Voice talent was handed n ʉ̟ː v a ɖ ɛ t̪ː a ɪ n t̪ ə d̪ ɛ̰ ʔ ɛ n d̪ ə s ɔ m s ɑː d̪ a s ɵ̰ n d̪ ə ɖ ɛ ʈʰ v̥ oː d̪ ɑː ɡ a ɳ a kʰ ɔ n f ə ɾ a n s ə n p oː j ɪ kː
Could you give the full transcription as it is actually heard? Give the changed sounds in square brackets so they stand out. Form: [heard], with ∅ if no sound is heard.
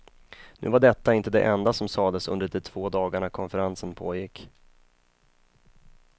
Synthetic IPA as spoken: n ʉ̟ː v a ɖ ɛ t̪ː a ɪ n t̪ ə d̪ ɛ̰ ʔ ɛ n d̪ [a] s ɔ m s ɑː d̪ [ə] s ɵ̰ n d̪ ə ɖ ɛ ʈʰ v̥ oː d̪ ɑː ɡ a ɳ a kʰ ɔ n f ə ɾ a n s ə n [pʰ] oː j ɪ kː